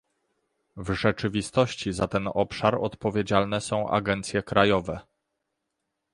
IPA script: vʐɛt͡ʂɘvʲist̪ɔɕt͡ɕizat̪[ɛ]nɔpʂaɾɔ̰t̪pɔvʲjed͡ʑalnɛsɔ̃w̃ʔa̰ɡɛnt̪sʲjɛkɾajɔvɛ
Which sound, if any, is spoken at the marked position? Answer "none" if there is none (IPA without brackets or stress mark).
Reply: ɛ